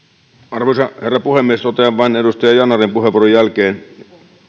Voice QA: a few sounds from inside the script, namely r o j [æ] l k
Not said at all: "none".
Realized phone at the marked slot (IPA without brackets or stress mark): æ